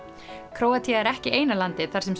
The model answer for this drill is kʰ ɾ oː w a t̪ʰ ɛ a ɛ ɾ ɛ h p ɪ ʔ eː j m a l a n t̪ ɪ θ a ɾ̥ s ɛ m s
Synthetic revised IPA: kʰ ɾ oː w a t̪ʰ i a ɛ ɾ ɛ h c ɪ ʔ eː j n a l a n t̪ ɪ θ a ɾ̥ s ɛ m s